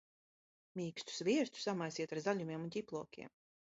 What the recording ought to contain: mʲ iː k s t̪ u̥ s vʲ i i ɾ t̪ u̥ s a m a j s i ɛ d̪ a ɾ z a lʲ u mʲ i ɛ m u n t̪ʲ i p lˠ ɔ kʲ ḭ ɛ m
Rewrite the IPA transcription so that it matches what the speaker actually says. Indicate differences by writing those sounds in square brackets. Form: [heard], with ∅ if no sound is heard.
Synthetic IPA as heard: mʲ iː k s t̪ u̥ s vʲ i [ɛ] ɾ t̪ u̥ s a m a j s i ɛ [t̪] a ɾ z a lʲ u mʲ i ɛ m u n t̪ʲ i p lˠ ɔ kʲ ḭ ɛ m